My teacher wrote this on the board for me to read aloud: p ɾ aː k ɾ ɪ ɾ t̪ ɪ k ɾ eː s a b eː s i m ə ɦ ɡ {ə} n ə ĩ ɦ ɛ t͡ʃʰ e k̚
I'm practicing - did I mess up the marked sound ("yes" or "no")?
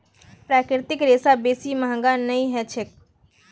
yes